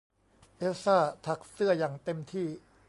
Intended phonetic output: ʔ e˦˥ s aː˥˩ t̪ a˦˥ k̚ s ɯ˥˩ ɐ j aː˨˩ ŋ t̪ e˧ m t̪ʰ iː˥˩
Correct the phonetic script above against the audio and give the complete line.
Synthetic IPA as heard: ʔ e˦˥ s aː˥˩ t̪ʰ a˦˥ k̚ s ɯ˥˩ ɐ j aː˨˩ ŋ t̪ e˧ m t̪ʰ iː˥˩